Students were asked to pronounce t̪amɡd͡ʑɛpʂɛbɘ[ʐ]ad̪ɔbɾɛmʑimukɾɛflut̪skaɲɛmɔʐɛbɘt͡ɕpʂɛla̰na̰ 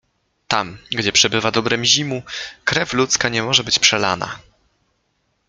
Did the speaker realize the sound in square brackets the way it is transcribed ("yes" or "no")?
no